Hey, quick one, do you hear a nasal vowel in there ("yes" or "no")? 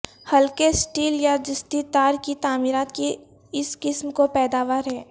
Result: no